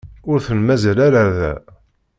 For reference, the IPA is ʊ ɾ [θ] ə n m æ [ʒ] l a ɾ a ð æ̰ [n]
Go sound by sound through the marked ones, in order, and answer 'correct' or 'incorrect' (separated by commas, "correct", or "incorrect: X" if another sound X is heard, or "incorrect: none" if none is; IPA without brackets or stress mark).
correct, incorrect: z, incorrect: none